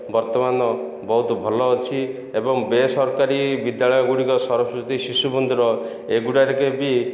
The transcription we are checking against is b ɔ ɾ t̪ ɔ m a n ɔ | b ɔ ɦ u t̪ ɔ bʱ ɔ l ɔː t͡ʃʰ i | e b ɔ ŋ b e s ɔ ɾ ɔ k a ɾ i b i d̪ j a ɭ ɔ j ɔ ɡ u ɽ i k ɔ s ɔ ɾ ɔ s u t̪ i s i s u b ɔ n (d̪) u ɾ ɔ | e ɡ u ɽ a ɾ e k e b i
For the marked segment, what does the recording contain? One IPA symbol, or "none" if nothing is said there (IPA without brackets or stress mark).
d̪